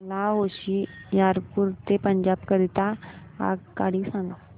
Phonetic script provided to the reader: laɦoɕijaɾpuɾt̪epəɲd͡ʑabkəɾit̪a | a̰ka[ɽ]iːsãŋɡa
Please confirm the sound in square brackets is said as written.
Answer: yes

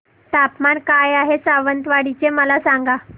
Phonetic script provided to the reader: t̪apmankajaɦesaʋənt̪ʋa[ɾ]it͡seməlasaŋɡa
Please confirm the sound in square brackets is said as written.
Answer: no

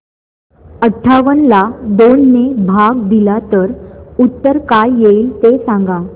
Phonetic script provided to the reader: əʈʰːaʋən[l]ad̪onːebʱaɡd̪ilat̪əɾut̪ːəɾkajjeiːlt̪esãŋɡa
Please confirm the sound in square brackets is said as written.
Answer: yes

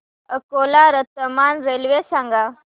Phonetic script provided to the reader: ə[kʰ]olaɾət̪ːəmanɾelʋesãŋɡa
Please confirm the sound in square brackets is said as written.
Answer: no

